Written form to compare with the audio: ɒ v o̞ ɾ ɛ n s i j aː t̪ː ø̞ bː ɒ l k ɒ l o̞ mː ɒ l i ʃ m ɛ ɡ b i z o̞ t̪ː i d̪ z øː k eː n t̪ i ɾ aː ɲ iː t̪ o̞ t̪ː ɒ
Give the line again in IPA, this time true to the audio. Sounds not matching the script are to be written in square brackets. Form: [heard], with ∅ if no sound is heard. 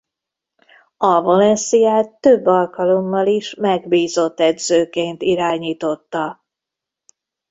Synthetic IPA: ɒ v o̞ [l] ɛ n s i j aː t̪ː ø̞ bː ɒ l k ɒ l o̞ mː ɒ l i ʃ m ɛ ɡ b [iː] z o̞ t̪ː [ɛ] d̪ z øː k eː n t̪ i ɾ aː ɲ iː t̪ o̞ t̪ː ɒ